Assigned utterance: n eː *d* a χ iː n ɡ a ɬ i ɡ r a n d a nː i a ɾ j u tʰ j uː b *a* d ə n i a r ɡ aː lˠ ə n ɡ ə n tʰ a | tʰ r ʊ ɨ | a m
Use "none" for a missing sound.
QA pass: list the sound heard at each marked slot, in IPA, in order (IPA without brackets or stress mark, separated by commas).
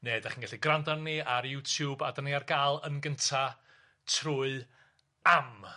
d, a